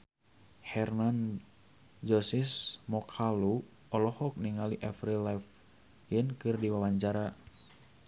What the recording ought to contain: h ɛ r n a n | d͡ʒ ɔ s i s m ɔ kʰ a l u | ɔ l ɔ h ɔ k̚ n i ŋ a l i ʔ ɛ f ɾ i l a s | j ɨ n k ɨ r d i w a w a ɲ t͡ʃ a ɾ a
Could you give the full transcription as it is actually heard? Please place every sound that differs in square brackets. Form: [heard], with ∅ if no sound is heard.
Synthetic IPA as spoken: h ɛ r n a n | d͡ʒ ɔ s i s m ɔ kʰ a l u | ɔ l ɔ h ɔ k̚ n i ŋ a l i ʔ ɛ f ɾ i l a [f] | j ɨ n k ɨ r d i w a w a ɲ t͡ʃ a ɾ a